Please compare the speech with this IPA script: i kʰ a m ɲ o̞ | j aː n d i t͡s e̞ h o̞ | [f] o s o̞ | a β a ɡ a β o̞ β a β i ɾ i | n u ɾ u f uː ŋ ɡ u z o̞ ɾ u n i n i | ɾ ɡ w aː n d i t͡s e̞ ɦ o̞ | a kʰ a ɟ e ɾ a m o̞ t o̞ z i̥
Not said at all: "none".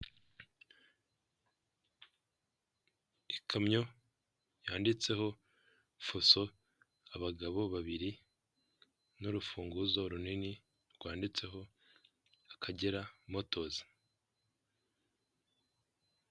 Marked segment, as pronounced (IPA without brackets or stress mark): f